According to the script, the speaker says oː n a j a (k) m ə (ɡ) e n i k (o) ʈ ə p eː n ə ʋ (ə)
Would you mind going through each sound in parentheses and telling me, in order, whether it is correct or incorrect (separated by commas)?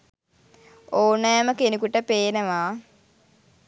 incorrect, incorrect, incorrect, incorrect